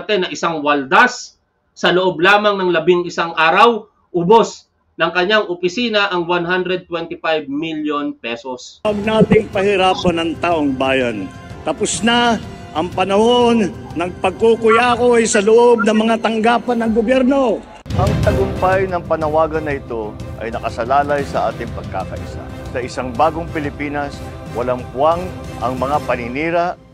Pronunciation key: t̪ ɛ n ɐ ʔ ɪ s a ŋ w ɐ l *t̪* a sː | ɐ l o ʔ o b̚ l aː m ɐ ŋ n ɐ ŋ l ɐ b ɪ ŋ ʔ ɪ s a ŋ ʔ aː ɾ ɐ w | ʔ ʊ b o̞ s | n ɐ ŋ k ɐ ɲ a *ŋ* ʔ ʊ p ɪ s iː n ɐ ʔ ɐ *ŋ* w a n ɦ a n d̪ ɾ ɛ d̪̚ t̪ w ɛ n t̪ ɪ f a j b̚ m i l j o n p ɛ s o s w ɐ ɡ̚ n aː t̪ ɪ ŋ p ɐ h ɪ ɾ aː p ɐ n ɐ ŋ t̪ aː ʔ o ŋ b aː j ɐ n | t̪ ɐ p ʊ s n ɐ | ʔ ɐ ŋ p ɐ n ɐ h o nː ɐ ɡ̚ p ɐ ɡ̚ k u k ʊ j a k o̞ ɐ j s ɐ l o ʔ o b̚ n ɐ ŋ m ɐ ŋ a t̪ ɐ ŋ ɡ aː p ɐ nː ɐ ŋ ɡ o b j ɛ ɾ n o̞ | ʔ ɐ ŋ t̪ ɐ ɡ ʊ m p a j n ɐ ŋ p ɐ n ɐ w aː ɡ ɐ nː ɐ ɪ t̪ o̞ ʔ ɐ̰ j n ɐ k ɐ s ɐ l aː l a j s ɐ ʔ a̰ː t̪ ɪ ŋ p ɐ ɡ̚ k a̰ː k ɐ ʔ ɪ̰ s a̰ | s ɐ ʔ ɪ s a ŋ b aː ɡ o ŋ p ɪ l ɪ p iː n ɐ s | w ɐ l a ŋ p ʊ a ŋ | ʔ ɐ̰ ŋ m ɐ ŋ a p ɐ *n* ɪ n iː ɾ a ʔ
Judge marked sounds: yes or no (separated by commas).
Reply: no, yes, yes, yes